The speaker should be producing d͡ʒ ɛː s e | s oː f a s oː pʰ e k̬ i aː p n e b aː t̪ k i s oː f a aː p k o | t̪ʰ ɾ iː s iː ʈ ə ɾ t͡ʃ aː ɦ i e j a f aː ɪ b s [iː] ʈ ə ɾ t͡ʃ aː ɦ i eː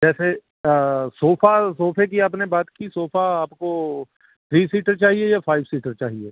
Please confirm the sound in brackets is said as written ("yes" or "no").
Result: yes